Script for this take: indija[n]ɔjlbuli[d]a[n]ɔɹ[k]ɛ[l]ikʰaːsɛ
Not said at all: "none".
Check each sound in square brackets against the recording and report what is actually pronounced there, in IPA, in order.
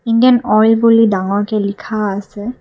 n, d, ŋ, k, l

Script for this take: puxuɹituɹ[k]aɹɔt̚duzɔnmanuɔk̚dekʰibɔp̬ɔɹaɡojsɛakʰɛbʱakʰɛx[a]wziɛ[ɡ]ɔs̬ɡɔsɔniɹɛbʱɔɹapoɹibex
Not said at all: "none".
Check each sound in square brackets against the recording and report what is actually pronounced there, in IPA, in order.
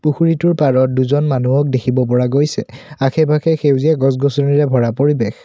p, e, ɡ

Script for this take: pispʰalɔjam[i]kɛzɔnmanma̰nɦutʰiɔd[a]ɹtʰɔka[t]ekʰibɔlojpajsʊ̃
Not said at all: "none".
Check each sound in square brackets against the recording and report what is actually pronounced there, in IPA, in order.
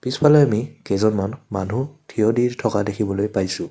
i, i, d

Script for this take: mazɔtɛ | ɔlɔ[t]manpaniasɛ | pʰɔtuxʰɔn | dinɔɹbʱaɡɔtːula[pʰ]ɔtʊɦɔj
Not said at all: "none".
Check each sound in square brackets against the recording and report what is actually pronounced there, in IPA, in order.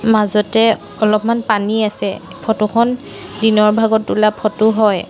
p, pʰ

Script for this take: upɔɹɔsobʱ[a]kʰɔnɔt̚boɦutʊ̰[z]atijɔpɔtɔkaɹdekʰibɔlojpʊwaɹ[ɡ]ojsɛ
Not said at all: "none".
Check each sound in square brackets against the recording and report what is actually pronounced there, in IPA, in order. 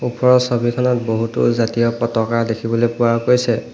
i, z, k

